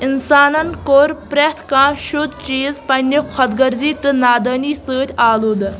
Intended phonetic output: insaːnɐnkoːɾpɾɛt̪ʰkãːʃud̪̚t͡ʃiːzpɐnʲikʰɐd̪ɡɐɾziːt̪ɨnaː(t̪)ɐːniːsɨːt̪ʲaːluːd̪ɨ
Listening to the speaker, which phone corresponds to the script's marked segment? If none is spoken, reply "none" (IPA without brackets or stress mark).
d̪